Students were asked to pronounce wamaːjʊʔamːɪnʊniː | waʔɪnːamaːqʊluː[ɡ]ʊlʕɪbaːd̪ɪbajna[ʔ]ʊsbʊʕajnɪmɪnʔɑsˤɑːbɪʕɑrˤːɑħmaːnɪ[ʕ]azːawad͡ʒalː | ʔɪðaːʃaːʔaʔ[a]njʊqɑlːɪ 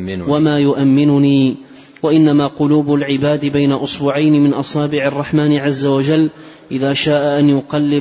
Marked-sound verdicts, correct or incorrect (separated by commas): incorrect, correct, correct, correct